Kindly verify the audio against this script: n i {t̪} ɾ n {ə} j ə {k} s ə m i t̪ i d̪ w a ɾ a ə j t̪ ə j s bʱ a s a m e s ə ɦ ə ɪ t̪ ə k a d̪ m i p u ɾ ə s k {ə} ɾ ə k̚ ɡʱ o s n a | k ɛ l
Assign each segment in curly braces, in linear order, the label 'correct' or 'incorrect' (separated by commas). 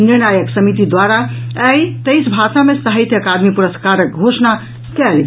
incorrect, incorrect, correct, incorrect